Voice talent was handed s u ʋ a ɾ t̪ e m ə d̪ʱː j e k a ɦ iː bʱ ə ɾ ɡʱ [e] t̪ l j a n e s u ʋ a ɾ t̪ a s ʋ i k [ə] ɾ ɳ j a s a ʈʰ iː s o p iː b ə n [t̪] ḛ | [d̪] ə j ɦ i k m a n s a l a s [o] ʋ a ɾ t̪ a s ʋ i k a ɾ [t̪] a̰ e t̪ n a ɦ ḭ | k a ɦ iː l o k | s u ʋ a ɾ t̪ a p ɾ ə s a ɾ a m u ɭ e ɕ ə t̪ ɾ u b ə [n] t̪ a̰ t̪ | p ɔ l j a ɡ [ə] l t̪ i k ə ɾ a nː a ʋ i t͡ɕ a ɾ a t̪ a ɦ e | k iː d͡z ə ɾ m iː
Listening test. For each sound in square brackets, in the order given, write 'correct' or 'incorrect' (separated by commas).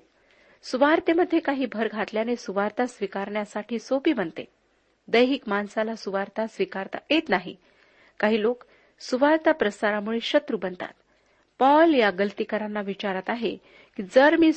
incorrect, incorrect, correct, correct, incorrect, correct, correct, correct